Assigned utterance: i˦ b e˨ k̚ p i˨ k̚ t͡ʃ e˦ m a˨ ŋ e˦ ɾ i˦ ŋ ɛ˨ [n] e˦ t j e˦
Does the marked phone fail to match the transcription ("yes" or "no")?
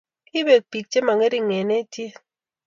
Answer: no